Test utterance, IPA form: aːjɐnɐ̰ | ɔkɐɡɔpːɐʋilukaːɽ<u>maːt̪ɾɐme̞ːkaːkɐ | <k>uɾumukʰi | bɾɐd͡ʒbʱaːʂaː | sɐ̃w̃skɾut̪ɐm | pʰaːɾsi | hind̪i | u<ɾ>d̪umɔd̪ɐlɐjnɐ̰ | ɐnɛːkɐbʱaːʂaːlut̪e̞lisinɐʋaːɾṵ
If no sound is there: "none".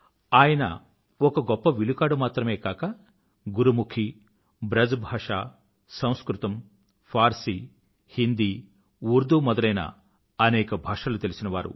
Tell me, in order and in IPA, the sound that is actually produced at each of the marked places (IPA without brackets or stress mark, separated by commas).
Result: u, ɡ, ɾ